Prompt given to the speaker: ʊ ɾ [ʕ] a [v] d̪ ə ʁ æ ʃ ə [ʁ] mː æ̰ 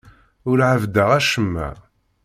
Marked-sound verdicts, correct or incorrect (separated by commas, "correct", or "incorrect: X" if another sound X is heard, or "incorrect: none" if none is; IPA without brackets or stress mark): correct, correct, incorrect: none